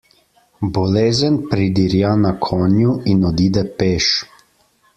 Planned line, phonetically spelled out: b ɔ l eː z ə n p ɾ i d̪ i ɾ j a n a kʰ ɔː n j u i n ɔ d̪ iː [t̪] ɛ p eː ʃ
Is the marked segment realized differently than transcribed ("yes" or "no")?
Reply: yes